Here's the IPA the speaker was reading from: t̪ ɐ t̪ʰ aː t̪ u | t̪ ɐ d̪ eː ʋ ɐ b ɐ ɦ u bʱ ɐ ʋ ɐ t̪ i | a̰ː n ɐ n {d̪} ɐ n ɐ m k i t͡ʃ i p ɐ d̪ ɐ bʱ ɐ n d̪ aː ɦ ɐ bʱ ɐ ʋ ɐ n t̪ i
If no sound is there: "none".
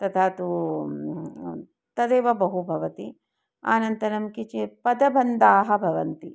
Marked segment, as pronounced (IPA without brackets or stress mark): t̪